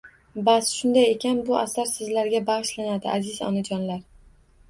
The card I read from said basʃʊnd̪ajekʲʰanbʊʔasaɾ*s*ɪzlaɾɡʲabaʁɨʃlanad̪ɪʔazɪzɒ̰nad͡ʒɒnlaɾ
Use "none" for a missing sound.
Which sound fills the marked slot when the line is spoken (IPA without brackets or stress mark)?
s